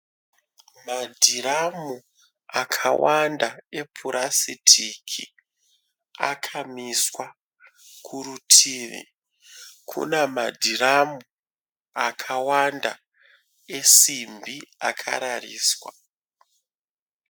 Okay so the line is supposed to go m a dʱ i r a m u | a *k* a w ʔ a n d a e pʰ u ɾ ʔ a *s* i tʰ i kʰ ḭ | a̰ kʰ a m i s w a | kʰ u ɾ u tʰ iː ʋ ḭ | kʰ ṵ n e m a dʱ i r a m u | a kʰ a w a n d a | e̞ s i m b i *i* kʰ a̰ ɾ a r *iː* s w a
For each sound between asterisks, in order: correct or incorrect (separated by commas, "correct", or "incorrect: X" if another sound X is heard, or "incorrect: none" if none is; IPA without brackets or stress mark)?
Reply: incorrect: kʰ, correct, incorrect: a, correct